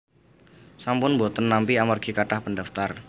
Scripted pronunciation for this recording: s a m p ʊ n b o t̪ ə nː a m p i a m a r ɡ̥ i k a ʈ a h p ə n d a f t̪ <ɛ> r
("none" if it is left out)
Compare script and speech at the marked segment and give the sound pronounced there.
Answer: a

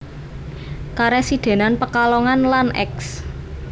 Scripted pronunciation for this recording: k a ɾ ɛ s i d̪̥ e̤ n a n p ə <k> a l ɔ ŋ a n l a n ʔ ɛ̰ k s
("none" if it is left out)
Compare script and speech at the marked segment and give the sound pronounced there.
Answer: k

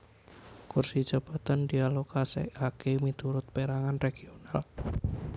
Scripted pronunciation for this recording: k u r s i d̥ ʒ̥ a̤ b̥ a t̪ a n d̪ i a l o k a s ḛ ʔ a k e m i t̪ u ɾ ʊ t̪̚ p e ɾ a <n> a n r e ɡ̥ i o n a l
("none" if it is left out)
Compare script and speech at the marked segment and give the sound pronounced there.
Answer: ŋ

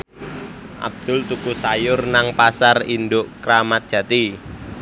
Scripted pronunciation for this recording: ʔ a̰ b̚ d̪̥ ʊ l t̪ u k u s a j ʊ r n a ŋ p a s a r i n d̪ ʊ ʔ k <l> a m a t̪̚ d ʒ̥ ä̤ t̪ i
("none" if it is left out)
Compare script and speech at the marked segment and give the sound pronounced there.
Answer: ɾ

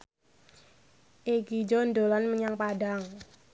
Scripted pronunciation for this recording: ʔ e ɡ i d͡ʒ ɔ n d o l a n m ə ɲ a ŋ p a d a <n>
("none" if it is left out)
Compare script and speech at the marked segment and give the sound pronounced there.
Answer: ŋ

